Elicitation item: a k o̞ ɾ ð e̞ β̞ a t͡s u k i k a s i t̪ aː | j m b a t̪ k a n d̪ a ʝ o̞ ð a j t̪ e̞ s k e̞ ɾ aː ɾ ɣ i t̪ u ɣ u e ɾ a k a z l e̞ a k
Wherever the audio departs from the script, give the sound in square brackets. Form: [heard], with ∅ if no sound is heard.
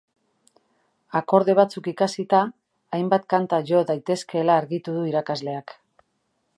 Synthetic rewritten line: a k o̞ ɾ ð e̞ β̞ a t͡s u k i k a s i t̪ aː | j m b a t̪ k a n [t̪] a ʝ o̞ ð a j t̪ e̞ s k e̞ [l] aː ɾ ɣ i t̪ u [ð] u [i] ɾ a k a z l e̞ a k